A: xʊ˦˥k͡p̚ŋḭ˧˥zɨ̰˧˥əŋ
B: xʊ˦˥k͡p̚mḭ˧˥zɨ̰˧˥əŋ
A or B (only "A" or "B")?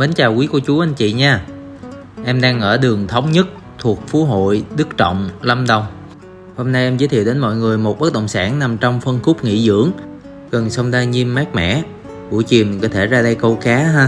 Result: A